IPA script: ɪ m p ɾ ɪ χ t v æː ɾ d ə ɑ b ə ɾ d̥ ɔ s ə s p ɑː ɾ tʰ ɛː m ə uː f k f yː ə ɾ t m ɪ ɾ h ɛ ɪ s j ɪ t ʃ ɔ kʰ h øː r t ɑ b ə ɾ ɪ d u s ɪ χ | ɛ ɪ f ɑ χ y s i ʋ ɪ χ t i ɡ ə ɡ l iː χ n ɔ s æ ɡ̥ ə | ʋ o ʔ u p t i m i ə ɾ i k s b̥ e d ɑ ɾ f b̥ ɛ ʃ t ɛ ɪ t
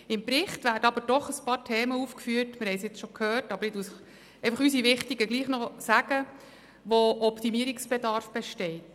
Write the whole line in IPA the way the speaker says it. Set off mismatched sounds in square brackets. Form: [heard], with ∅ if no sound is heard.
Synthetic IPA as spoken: ɪ m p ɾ ɪ χ t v æː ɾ d ə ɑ b ə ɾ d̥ ɔ [χ] ə s p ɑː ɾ tʰ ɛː m ə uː f k f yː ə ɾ t m ɪ ɾ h ɛ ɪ s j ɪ [t͡s] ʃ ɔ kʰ h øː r t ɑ b ə ɾ ɪ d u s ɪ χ | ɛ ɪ f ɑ χ y s i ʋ ɪ χ t i ɡ ə ɡ l iː χ n ɔ s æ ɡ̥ ə | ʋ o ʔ [ɔ] p t i m i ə ɾ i k s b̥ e d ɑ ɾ f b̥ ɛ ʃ t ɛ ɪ t